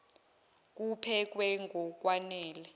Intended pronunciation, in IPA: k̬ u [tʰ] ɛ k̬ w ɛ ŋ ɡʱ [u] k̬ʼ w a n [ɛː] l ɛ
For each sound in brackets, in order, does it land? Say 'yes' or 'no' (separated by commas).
no, no, yes